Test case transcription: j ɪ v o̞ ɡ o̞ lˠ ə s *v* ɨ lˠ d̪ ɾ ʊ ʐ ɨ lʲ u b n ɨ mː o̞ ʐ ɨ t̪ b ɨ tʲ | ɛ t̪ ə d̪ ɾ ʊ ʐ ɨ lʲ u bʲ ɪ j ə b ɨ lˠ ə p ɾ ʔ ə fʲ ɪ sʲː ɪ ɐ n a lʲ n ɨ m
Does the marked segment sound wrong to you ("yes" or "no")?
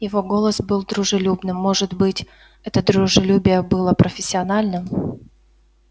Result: yes